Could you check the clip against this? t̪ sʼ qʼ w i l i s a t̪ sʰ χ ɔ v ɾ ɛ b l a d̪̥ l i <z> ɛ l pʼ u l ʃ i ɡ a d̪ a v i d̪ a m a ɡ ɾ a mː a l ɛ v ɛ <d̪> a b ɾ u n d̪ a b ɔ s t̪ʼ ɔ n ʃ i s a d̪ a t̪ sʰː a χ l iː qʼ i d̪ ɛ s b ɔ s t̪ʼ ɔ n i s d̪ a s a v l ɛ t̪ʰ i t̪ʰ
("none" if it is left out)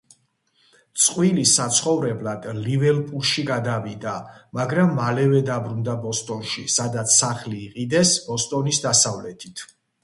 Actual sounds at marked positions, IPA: v, d̪

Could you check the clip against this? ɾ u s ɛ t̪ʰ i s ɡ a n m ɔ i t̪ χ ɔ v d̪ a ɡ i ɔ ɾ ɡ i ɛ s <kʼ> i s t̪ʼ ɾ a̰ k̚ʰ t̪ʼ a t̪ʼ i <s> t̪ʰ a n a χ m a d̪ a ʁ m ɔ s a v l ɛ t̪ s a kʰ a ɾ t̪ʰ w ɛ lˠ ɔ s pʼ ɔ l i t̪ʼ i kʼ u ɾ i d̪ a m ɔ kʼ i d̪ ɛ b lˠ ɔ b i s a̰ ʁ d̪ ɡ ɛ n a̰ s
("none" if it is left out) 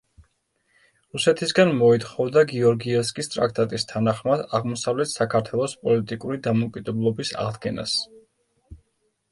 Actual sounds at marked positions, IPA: kʼ, s

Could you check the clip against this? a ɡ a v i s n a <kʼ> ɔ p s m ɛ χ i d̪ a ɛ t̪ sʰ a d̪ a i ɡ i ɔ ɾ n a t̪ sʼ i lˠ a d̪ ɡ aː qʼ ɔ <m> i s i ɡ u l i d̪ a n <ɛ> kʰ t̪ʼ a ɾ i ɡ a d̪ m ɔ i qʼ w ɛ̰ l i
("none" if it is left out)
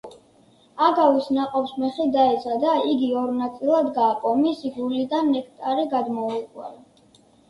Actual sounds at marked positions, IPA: qʼ, m, ɛ

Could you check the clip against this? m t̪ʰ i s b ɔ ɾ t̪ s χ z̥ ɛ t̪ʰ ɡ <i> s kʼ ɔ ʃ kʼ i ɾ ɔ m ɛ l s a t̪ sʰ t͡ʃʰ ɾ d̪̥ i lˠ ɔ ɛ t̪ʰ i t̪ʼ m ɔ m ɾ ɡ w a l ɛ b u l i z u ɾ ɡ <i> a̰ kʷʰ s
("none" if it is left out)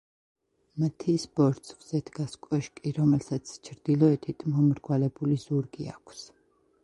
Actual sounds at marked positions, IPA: a, i

